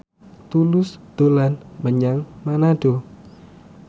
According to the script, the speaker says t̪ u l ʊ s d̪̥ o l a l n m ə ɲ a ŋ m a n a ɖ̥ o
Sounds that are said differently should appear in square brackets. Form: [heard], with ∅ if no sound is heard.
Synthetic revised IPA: t̪ u l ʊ s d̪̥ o l a [∅] n m ə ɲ a ŋ m a n a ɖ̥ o